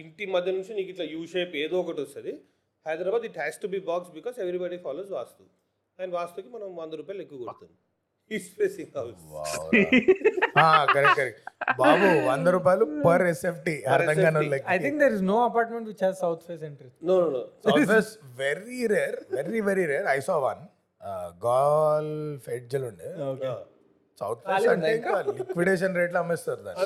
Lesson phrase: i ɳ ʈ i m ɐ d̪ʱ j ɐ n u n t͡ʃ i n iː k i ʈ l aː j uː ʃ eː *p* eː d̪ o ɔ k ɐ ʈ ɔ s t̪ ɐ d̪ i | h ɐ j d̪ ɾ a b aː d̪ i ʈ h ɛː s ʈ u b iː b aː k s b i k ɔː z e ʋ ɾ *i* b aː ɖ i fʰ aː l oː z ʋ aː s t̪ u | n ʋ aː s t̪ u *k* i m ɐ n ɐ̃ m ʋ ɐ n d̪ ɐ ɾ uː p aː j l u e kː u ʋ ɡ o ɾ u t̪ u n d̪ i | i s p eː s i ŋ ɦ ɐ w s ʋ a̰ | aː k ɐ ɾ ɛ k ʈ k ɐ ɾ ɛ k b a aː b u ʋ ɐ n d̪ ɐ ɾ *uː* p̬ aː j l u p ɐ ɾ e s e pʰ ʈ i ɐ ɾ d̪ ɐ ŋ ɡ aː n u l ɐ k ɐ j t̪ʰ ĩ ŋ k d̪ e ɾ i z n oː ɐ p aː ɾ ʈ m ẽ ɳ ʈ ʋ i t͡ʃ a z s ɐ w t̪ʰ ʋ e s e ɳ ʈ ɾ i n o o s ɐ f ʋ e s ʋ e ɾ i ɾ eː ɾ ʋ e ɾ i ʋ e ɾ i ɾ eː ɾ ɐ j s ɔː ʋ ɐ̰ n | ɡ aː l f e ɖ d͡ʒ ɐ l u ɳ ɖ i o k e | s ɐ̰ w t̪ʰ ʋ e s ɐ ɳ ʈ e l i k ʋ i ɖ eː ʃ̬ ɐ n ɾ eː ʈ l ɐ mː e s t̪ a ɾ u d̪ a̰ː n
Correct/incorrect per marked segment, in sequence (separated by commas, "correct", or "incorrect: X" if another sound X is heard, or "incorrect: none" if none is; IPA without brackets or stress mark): correct, correct, correct, correct